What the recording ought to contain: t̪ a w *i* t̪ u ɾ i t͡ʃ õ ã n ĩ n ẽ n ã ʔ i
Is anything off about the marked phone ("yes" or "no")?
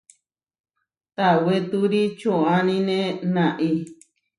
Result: yes